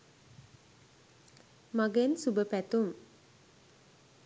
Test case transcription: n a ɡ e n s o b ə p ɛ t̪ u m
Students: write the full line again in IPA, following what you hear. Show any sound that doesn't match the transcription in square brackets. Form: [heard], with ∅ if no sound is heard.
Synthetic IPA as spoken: [m] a ɡ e n s [u] b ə p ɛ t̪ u m